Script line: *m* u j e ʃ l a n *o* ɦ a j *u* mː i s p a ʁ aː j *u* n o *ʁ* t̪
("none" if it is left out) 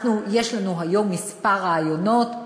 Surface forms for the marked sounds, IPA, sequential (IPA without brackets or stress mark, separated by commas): n, u, o, o, none